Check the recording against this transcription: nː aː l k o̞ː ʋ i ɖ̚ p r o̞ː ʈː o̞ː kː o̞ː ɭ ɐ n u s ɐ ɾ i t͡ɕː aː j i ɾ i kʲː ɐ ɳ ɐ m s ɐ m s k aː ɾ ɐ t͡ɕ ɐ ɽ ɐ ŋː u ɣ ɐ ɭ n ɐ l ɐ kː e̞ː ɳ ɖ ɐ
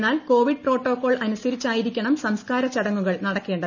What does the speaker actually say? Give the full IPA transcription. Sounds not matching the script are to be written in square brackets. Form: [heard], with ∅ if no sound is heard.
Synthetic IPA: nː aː l k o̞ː ʋ i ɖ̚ p r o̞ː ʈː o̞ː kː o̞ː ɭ ɐ n u s ɐ ɾ i t͡ɕː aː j i ɾ i kʲː ɐ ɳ ɐ m s ɐ m s k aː ɾ ɐ t͡ɕ ɐ ɽ ɐ ŋː u ɣ ɐ ɭ n ɐ [ɽ] ɐ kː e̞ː ɳ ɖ ɐ

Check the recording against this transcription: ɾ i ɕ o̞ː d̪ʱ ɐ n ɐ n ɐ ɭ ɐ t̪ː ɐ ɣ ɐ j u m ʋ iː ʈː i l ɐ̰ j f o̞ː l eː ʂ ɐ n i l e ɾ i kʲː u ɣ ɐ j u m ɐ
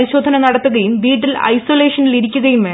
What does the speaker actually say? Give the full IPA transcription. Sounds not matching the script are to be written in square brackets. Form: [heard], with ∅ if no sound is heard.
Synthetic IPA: ɾ i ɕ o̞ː d̪ʱ ɐ n ɐ n ɐ [ɽ] ɐ t̪ː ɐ [ð] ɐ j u m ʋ iː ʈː i l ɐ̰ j [s] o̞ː l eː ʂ ɐ n i l [i] ɾ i kʲː u ɣ ɐ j u m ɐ

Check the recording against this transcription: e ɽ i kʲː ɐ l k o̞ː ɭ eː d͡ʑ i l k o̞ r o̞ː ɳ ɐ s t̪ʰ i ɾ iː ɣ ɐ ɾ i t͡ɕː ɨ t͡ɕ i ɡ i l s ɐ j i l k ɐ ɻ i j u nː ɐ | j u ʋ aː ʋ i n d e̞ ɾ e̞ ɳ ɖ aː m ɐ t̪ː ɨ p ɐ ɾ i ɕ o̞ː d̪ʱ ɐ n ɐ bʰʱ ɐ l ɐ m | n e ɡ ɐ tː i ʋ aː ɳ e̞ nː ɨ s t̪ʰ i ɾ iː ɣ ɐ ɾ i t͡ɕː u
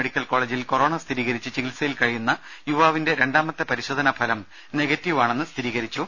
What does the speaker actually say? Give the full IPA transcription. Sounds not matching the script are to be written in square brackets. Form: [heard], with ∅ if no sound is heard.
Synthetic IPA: e ɽ i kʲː ɐ l k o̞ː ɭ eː d͡ʑ i l k o̞ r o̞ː ɳ ɐ s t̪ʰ i ɾ iː ɣ ɐ ɾ i t͡ɕː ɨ t͡ɕ i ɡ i l s ɐ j i l k ɐ ɻ i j u nː ɐ | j u ʋ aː ʋ i n d e̞ ɾ e̞ ɳ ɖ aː m ɐ t̪ː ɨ p ɐ ɾ i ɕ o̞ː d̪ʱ ɐ n ɐ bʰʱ ɐ l ɐ m | n e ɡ ɐ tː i ʋ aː ɳ e̞ nː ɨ s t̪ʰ i ɾ iː ɣ ɐ ɾ i t͡ɕː u

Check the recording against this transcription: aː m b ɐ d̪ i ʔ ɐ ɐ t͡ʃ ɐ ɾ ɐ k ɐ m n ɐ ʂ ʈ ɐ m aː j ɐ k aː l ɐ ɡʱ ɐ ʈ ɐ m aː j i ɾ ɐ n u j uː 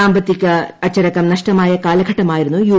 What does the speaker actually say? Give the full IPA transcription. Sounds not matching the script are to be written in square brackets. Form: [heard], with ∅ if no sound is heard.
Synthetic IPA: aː m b ɐ [t̪] i [k] ɐ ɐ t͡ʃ ɐ ɾ ɐ k ɐ m n ɐ ʂ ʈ ɐ m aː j ɐ k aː l ɐ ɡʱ ɐ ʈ ɐ m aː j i ɾ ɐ n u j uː

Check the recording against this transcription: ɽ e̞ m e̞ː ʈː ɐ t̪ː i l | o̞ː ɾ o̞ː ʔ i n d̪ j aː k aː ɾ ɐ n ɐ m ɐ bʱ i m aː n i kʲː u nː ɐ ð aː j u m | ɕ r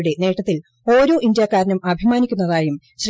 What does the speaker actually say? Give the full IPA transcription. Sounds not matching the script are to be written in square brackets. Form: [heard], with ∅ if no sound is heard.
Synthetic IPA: ɽ e̞ [n] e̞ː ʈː ɐ t̪ː i l | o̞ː ɾ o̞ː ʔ i n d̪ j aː k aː ɾ ɐ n ɐ m ɐ bʱ i m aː n i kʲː u nː ɐ ð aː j u m | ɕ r

